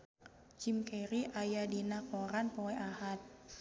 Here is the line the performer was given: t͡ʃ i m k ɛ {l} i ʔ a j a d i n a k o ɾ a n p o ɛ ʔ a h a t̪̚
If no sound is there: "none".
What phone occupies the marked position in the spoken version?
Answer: ɾ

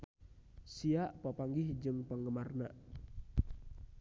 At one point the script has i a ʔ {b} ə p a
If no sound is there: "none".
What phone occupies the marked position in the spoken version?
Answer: p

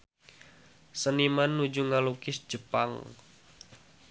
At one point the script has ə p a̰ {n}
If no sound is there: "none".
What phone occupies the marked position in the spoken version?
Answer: ŋ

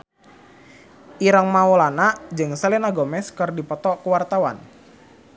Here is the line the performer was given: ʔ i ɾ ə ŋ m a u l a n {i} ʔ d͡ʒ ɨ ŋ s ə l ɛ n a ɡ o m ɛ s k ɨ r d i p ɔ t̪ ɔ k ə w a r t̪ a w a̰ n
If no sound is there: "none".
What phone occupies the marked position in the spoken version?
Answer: a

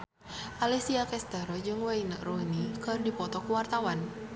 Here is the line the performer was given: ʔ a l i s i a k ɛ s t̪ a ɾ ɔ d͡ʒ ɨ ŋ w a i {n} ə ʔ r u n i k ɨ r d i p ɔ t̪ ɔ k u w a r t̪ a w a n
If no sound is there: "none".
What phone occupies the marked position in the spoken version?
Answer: n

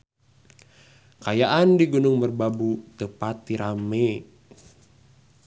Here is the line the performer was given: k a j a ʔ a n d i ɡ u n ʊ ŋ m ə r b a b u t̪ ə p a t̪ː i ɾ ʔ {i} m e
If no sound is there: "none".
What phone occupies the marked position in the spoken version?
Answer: a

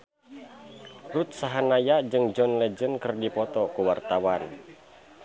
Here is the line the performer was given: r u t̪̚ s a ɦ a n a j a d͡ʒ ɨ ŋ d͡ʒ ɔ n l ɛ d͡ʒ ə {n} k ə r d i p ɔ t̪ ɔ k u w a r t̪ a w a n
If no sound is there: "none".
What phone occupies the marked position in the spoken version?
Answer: n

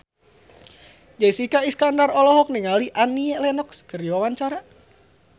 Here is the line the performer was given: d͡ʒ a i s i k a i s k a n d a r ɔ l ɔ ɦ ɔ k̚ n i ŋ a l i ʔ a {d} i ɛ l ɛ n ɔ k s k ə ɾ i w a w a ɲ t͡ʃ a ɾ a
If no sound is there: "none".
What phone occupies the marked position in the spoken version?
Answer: n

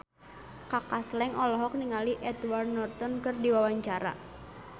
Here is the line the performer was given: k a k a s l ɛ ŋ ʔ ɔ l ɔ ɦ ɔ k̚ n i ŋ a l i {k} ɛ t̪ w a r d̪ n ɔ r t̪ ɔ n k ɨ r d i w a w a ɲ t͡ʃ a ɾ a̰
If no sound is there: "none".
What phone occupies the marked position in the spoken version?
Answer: ʔ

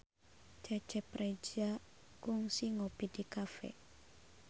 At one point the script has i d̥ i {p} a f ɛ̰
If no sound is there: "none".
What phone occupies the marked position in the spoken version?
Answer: k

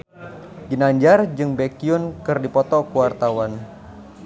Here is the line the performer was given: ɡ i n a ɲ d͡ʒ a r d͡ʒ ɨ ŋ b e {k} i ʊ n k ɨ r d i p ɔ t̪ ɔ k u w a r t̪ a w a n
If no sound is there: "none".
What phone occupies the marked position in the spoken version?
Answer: k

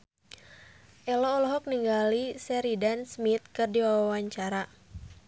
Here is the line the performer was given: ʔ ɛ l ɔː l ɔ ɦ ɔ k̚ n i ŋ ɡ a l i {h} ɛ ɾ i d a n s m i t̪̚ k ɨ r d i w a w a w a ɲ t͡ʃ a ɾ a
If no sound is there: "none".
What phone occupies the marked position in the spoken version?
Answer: s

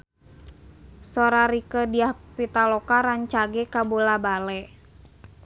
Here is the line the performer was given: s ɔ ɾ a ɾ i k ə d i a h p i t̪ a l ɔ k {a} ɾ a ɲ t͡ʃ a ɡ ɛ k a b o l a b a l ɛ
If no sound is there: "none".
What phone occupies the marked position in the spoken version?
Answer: a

